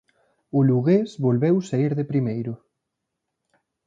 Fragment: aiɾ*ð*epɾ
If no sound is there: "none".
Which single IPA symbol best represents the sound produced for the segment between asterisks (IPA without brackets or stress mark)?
ð